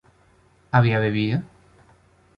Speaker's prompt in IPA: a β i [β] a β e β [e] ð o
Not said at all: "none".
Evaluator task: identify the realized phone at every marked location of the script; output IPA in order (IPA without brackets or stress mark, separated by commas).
none, i